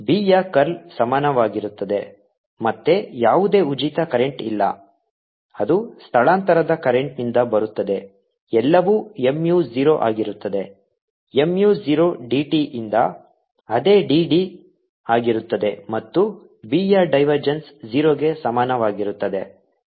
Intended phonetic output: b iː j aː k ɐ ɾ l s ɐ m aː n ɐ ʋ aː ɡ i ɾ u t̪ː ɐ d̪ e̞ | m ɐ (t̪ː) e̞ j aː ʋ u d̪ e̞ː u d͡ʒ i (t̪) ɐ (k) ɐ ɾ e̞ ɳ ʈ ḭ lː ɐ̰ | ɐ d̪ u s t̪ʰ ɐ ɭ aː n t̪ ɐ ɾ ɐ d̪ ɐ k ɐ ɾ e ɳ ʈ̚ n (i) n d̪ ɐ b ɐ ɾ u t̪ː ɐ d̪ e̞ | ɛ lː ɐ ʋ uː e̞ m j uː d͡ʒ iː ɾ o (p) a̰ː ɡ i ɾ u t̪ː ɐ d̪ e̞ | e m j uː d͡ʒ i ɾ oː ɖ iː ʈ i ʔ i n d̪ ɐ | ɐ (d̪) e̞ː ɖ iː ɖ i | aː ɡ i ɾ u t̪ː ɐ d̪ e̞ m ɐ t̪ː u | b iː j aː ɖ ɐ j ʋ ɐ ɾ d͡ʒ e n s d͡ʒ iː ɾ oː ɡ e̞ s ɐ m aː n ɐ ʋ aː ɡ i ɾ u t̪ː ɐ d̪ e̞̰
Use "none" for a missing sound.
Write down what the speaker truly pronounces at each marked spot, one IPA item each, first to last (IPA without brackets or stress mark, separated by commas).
t̪ː, t̪, k, i, ʔ, d̪